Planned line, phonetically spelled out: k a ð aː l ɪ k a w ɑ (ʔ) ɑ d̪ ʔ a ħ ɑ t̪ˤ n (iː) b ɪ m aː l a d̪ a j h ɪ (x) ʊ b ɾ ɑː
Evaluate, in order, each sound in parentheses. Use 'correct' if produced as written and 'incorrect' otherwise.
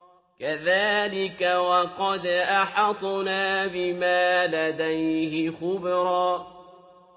incorrect: q, incorrect: aː, correct

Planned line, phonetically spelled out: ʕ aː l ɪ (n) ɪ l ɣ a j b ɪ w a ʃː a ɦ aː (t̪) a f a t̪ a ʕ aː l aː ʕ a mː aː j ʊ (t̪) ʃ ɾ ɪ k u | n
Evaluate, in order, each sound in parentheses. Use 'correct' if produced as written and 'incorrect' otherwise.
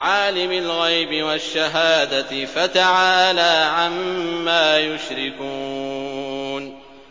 incorrect: m, incorrect: d̪, incorrect: none

